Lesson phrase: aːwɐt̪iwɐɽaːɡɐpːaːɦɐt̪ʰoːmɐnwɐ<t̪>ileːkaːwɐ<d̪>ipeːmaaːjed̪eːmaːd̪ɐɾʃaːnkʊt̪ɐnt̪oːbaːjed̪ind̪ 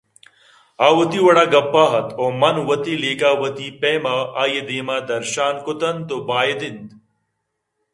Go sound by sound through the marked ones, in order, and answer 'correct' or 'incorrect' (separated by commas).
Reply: correct, incorrect